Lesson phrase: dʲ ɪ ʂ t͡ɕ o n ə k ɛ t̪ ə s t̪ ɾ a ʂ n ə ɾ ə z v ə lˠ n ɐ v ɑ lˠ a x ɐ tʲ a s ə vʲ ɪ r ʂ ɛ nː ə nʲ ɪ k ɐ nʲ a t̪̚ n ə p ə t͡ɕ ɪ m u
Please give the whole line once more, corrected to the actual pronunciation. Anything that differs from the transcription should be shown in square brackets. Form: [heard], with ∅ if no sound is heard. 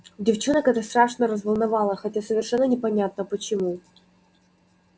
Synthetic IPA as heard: dʲ ɪ [f] t͡ɕ o n ə k ɛ t̪ ə s t̪ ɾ a ʂ n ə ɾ ə z v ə lˠ n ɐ v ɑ lˠ [ə] x ɐ tʲ a s ə vʲ ɪ r ʂ ɛ nː ə nʲ ɪ [p] ɐ nʲ a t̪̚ n ə p ə t͡ɕ ɪ m u